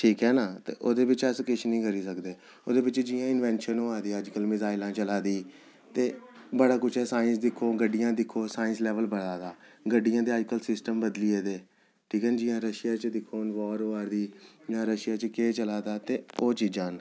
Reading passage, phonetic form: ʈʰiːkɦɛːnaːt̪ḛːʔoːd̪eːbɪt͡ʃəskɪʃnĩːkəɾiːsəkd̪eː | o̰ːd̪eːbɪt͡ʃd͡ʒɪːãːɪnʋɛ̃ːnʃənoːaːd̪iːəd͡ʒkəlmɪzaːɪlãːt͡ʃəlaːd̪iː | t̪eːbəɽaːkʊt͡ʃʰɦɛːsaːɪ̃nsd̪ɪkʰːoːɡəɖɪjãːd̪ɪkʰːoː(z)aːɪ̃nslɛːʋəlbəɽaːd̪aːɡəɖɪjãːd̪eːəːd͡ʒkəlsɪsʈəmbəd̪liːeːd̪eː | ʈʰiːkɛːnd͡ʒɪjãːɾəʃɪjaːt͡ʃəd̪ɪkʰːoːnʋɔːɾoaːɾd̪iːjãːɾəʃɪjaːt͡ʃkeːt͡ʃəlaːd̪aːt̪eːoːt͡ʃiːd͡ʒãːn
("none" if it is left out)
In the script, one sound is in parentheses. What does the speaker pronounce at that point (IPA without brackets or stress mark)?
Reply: s